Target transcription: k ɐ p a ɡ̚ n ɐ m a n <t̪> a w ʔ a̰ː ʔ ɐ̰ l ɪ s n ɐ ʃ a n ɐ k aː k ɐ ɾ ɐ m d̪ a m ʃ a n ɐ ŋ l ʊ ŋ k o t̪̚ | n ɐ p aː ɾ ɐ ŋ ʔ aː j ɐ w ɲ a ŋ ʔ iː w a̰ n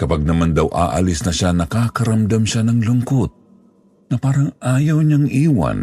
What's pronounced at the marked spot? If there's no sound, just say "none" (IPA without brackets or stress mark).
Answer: d̪